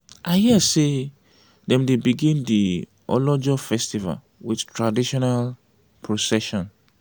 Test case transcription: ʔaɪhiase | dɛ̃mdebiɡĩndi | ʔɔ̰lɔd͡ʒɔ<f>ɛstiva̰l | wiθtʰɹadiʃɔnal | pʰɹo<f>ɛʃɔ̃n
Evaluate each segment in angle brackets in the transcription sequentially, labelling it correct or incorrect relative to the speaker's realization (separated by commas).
correct, incorrect